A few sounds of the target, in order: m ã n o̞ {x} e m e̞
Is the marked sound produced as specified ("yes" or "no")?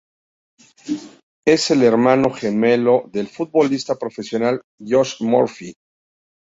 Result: yes